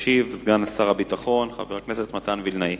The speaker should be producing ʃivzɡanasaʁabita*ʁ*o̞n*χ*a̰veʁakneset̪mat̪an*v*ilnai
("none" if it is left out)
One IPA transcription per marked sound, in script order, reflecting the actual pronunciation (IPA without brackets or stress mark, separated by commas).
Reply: χ, χ, v